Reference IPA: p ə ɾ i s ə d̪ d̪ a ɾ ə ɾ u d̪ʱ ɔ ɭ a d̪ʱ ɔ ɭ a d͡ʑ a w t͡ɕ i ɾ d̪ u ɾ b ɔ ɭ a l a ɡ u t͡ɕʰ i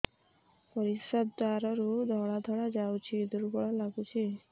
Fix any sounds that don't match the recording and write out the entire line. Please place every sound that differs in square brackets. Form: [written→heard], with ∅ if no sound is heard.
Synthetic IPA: p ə ɾ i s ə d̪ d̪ a ɾ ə ɾ u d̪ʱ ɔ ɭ a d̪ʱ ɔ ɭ a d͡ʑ a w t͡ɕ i [ɾ→∅] d̪ u ɾ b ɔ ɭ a l a ɡ u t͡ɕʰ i